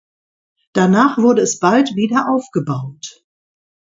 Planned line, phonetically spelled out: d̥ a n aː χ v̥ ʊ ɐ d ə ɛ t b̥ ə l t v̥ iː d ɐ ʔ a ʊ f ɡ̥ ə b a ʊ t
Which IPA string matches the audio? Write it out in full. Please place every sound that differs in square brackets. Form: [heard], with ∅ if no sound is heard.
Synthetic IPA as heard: d̥ a n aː χ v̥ ʊ ɐ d ə ɛ [s] b̥ [a] l t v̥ iː d ɐ ʔ a ʊ f ɡ̥ ə b a ʊ t